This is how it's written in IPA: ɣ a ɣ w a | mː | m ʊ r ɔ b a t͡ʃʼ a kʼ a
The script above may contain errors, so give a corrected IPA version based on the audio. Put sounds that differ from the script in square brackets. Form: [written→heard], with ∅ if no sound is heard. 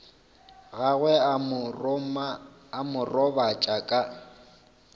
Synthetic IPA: ɣ a ɣ w [a→ɛ] | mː | m ʊ r ɔ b a t͡ʃʼ a kʼ a